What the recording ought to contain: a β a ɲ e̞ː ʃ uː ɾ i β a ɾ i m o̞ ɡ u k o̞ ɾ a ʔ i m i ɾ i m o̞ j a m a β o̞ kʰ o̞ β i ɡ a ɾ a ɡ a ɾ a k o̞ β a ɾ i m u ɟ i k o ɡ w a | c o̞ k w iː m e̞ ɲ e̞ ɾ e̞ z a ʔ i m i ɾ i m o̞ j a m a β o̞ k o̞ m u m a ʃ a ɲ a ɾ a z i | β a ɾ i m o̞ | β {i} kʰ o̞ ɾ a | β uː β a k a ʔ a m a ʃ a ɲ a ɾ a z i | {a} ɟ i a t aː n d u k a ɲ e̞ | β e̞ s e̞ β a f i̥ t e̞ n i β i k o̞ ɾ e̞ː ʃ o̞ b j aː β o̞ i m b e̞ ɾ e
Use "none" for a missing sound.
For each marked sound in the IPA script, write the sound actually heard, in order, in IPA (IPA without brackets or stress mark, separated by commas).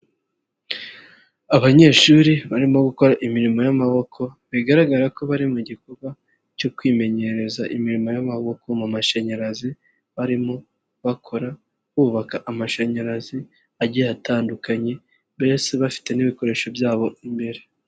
a, a